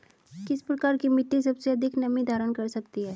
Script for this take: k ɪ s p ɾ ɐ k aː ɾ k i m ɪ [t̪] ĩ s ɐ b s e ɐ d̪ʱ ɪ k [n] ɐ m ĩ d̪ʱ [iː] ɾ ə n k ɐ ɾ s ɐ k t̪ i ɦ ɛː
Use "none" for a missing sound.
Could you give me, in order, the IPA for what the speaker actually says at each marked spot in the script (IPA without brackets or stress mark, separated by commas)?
t̪, n, aː